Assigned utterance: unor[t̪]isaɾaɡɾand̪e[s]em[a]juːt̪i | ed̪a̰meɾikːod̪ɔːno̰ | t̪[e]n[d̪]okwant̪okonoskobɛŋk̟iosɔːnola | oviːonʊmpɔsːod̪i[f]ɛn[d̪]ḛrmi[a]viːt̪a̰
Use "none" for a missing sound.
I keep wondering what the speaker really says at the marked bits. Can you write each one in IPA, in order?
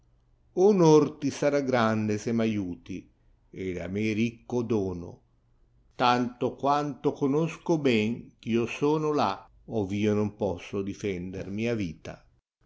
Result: t̪, s, a, a, t̪, f, d̪, a

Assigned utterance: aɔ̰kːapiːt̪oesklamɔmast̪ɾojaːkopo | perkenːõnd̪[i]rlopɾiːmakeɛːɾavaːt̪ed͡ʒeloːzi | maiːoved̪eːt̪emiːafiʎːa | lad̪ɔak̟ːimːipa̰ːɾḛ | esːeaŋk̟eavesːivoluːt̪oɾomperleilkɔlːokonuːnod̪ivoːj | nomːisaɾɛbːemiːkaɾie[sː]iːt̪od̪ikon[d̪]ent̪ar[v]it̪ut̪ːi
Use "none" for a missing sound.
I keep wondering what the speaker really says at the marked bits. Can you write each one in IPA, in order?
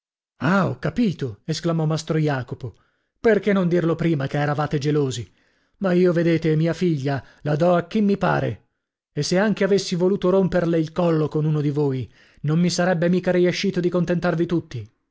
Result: i, ʃː, t̪, v

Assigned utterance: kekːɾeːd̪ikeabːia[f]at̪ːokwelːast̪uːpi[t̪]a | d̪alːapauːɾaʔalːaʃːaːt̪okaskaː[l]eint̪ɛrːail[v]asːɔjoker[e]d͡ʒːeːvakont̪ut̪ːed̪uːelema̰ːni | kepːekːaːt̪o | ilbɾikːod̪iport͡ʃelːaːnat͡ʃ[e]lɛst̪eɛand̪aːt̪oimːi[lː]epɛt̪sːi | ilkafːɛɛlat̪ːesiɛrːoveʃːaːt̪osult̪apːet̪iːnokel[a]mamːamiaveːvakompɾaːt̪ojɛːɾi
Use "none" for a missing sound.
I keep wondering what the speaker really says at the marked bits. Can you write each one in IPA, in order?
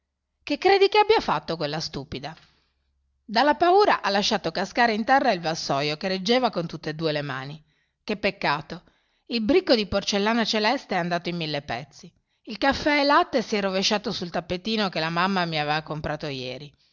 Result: f, d̪, ɾ, v, e, e, lː, a

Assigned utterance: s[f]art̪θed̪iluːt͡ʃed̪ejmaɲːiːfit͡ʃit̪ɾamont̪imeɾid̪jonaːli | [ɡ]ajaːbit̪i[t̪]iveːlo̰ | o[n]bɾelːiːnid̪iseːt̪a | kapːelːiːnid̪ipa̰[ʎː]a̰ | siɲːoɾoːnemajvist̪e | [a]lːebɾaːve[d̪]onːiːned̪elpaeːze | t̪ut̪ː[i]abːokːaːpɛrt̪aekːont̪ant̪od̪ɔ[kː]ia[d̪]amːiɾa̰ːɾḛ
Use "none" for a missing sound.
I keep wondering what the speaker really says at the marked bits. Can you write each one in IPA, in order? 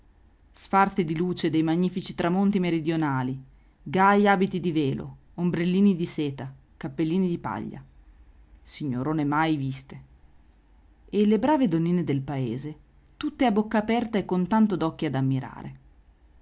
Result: f, ɡ, d̪, m, ʎː, e, d̪, e, kː, d̪

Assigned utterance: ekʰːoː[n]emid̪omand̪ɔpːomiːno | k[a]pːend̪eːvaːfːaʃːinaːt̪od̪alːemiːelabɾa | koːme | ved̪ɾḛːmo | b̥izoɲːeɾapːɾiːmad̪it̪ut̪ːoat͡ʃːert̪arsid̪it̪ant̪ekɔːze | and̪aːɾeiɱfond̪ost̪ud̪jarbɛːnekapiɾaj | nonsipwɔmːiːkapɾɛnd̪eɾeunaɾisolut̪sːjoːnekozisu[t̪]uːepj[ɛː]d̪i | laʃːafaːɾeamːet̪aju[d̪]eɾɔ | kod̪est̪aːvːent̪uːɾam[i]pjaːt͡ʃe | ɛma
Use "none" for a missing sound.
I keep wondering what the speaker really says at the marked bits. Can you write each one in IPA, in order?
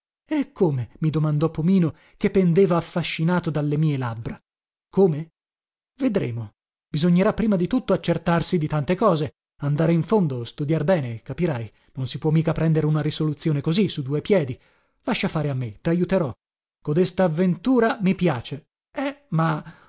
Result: m, e, d̪, ɛː, t̪, i

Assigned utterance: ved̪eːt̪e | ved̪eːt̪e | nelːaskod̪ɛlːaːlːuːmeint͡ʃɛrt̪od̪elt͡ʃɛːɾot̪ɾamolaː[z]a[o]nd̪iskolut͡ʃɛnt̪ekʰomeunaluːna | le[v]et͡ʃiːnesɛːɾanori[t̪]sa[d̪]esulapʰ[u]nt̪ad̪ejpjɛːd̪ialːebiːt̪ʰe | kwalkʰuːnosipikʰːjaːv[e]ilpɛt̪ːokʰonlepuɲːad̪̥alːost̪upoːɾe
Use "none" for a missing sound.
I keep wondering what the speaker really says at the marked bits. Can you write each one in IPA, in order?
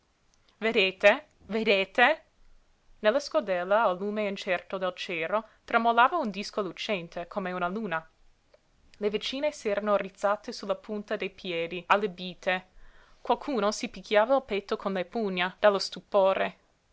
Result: v, u, v, t̪, t̪, u, a

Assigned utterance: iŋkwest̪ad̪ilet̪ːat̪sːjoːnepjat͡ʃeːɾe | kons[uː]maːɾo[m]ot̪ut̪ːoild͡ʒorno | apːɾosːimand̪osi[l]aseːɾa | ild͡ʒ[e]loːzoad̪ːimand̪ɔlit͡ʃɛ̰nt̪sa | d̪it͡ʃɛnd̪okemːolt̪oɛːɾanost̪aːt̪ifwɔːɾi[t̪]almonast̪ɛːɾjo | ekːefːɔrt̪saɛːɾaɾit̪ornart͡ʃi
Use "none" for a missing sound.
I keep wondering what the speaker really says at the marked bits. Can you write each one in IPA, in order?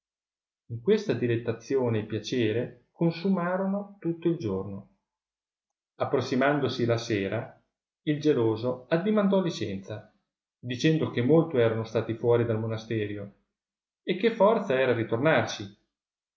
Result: u, n, l, e, d̪

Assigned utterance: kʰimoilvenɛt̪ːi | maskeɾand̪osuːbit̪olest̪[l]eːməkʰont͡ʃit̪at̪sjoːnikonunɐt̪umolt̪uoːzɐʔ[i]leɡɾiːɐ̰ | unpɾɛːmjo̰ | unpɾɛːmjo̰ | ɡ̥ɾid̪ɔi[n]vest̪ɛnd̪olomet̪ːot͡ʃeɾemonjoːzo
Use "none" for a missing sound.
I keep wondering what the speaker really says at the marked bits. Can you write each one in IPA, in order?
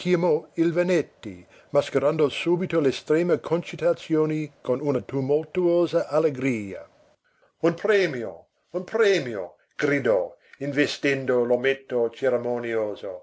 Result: ɾ, a, n

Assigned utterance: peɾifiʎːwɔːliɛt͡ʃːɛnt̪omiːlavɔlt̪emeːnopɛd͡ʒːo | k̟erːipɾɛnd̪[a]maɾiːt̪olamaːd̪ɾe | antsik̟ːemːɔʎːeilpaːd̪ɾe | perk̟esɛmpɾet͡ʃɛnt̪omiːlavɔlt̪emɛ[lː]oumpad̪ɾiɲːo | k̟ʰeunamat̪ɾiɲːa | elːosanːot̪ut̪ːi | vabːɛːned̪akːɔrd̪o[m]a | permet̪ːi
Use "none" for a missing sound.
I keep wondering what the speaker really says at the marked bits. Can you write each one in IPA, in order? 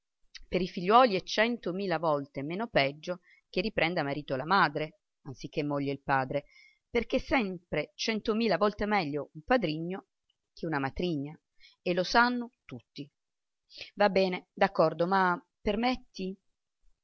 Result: a, ʎː, m

